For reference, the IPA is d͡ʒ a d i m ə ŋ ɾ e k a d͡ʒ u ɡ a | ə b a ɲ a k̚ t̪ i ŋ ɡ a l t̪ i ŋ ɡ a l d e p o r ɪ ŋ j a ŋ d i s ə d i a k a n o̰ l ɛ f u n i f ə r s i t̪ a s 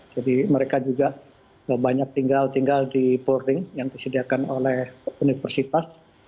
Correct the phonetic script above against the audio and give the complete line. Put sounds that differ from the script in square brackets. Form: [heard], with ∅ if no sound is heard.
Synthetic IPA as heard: d͡ʒ a d i m ə [∅] ɾ e k a d͡ʒ u ɡ a | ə b a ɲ a k̚ t̪ i ŋ ɡ a l t̪ i ŋ ɡ a l d [i] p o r ɪ ŋ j a ŋ d i s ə d i a k a n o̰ l ɛ [h] u n i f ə r s i t̪ a s